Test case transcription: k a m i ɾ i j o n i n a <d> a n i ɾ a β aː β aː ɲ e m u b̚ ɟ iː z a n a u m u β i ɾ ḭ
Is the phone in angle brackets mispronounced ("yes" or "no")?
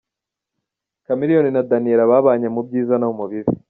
no